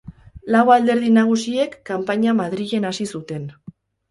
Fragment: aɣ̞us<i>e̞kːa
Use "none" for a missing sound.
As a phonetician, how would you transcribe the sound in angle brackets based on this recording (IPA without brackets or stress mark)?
i